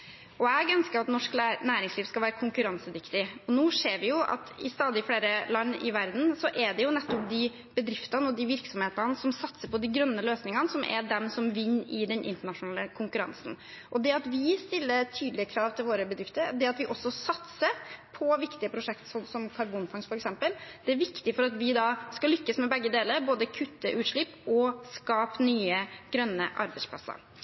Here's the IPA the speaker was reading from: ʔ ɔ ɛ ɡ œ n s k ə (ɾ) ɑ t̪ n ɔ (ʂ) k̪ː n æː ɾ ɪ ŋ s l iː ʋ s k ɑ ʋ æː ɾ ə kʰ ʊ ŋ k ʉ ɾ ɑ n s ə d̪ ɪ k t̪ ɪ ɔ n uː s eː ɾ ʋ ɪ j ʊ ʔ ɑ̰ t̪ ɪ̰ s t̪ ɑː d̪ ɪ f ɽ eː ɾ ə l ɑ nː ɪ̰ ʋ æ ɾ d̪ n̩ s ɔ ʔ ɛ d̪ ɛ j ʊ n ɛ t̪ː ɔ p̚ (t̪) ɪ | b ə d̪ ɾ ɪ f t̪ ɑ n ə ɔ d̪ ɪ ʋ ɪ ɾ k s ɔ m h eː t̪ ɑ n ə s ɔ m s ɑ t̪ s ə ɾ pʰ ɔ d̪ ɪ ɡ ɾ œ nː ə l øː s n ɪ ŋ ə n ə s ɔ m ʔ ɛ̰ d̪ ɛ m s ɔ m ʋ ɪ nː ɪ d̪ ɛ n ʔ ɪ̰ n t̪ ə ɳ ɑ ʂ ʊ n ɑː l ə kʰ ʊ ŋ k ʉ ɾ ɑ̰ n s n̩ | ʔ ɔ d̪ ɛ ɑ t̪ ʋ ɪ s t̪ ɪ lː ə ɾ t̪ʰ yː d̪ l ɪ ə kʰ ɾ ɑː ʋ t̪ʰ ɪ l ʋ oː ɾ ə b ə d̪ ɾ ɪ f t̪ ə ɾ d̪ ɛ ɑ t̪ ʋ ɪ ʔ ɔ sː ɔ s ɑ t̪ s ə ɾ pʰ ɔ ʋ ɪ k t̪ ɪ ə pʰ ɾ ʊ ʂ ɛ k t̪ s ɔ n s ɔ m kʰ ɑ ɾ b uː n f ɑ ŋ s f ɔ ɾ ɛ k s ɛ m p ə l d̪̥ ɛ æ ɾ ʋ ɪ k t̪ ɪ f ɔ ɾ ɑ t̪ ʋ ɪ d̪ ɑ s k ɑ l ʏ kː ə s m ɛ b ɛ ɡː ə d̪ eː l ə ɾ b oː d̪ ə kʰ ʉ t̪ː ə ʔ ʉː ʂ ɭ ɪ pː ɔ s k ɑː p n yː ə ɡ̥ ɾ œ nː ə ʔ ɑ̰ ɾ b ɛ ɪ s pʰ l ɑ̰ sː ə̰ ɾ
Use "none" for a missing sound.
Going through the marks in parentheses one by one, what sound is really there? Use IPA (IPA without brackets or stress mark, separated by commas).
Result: ɾ, ʂ, d̪